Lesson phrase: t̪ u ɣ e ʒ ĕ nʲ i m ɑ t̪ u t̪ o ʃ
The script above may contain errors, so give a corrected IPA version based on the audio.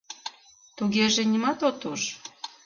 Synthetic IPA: t̪ u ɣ e ʒ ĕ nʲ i m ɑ t̪ o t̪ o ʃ